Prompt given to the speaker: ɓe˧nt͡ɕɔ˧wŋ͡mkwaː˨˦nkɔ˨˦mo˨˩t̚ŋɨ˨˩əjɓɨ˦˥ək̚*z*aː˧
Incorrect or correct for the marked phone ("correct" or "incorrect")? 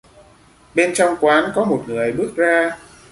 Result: correct